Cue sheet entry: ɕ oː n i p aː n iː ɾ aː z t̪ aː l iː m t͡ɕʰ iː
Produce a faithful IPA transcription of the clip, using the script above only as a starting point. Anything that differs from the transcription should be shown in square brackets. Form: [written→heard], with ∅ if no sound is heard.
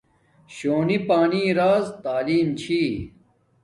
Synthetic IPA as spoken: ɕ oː n i p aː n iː ɾ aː z t̪ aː l iː m t͡ɕʰ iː